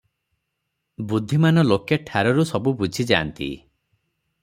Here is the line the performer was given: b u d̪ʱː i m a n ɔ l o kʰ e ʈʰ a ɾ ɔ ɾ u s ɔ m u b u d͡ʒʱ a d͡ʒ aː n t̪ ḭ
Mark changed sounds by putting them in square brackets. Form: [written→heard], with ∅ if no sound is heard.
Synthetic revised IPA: b u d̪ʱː i m a n ɔ l o [kʰ→k] e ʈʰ a ɾ ɔ ɾ u s ɔ [m→b] u b u d͡ʒʱ [a→i] d͡ʒ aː n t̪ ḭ